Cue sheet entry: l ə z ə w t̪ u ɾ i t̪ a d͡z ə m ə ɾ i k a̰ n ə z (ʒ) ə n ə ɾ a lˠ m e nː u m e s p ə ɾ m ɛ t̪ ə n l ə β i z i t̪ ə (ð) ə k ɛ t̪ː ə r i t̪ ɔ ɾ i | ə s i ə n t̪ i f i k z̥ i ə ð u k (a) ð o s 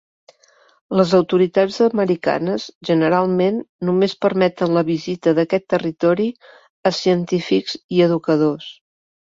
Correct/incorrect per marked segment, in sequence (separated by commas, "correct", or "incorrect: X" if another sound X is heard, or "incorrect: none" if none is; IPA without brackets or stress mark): correct, correct, incorrect: ə